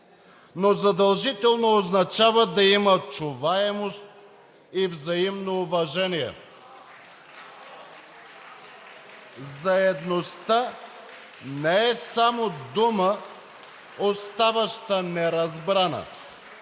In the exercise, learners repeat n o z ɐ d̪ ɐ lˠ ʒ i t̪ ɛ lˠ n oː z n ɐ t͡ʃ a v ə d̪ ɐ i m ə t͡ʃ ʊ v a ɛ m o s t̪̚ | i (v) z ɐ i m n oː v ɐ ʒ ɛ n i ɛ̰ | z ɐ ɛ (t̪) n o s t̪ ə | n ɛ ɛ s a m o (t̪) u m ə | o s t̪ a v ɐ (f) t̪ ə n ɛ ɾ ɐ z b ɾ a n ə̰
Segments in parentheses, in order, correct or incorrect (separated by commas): correct, incorrect, incorrect, incorrect